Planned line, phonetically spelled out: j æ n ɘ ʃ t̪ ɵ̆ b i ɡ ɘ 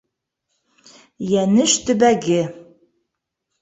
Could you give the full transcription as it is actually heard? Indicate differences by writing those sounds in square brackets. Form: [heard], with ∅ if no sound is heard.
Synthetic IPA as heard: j æ n ɘ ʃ t̪ ɵ̆ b [æ] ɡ ɘ